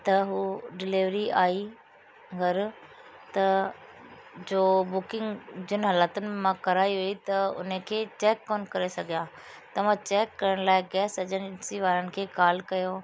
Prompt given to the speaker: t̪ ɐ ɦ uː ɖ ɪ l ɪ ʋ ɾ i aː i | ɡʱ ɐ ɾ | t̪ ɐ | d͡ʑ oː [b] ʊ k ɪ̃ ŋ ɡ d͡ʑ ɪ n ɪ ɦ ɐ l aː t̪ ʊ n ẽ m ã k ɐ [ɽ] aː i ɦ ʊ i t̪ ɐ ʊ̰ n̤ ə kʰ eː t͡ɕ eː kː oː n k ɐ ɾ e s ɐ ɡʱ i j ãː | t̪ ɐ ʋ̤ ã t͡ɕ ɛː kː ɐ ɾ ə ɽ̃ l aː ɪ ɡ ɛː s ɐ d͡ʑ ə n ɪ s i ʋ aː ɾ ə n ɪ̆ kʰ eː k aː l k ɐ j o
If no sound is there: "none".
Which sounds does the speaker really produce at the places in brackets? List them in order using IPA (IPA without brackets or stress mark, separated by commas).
b, ɾ